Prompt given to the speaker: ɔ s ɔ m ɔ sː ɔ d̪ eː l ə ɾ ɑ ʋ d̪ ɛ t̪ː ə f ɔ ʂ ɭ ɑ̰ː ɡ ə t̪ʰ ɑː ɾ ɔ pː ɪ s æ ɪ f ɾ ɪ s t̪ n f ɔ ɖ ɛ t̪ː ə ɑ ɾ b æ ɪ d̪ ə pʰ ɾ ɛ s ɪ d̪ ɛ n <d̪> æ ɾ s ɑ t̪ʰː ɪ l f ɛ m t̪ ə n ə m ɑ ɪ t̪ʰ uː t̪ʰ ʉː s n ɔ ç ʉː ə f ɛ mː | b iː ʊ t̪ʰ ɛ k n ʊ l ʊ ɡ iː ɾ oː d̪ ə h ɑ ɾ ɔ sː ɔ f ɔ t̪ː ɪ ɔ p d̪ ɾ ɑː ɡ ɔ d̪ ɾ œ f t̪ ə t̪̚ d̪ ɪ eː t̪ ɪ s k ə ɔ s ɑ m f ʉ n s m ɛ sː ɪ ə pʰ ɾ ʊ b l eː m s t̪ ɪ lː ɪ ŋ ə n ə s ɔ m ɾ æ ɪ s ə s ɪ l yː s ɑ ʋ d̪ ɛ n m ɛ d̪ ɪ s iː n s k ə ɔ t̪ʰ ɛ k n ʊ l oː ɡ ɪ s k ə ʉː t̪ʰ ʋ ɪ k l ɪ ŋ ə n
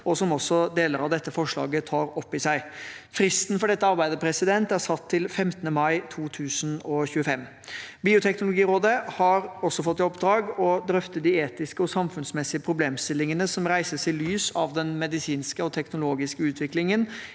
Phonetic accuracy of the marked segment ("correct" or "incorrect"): incorrect